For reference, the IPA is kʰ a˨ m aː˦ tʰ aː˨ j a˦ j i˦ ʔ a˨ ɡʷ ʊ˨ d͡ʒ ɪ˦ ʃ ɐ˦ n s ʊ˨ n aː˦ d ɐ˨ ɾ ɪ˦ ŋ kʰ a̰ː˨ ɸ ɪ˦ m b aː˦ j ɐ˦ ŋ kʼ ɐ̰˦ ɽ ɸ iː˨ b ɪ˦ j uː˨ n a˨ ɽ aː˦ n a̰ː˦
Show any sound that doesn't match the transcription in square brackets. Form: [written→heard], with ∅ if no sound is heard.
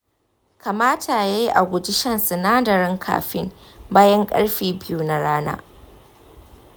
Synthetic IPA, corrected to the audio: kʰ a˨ m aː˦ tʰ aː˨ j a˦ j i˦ ʔ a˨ ɡʷ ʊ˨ d͡ʒ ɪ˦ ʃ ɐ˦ n s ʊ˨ n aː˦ d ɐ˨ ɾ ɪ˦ ŋ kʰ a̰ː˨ ɸ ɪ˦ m b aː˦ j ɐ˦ ŋ kʼ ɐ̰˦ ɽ ɸ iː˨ b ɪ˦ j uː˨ n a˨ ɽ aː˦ n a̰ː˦